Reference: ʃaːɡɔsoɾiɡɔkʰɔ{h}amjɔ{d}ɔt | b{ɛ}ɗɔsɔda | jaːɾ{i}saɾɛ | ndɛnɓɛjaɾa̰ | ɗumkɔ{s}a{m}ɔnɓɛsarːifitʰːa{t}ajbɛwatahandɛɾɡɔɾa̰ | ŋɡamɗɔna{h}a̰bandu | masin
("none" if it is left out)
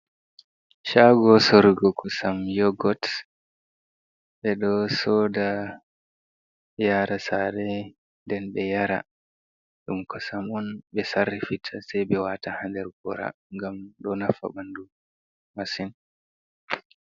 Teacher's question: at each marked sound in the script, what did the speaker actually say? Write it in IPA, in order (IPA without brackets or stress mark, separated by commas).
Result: s, ɡ, ɛ, a, s, m, s, f